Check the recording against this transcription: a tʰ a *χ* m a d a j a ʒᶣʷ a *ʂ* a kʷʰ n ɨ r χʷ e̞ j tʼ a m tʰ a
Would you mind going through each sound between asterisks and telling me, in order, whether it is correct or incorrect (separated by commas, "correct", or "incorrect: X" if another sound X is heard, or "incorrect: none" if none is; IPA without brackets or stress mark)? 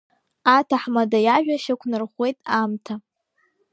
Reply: incorrect: ħ, incorrect: ʃ